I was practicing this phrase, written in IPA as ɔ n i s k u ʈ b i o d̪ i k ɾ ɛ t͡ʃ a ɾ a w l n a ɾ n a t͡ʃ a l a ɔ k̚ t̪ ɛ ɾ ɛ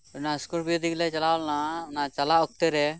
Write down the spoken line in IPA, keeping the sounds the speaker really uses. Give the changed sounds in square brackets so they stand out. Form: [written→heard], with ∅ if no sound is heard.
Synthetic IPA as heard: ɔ n [i→a] s k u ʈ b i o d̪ i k [ɾ→l] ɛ t͡ʃ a [ɾ→l] a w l n a [ɾ→∅] n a t͡ʃ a l a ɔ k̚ t̪ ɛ ɾ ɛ